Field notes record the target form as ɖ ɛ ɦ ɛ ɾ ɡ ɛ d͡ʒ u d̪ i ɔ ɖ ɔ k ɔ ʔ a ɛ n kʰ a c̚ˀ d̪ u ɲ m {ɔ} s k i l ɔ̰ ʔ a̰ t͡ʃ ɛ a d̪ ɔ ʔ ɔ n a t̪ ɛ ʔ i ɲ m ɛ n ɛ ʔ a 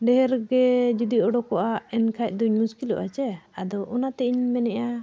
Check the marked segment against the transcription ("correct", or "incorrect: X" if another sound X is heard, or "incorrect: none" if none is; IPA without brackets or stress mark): incorrect: u